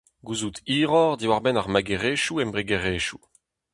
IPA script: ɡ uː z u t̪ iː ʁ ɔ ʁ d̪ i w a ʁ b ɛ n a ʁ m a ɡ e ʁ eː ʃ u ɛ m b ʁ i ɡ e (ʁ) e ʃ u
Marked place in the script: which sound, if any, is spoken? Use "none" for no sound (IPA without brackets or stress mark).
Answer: ʁ